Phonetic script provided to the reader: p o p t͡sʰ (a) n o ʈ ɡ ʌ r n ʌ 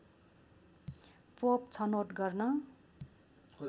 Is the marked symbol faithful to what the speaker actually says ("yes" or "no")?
no